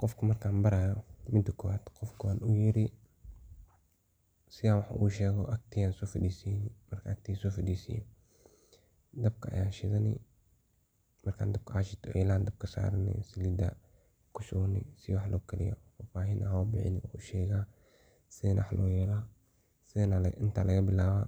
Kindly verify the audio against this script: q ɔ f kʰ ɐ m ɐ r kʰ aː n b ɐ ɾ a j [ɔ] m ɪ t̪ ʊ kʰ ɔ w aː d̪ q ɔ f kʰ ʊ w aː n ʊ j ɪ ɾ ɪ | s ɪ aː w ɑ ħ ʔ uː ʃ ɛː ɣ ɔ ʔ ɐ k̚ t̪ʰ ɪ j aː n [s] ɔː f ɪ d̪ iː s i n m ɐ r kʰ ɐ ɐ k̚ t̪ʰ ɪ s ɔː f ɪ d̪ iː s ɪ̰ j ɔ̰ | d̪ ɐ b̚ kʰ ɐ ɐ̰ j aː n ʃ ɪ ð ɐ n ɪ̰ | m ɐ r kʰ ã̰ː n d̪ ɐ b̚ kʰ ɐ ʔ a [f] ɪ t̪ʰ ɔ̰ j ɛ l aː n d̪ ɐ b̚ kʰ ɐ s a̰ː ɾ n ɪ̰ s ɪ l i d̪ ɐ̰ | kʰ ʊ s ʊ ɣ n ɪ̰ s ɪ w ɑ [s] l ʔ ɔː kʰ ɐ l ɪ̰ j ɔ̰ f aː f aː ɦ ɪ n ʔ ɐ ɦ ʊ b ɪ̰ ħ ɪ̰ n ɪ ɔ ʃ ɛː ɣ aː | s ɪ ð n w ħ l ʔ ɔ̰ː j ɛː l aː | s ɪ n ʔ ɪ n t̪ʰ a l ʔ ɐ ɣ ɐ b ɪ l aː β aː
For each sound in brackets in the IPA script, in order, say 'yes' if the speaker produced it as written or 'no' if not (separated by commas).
yes, yes, no, no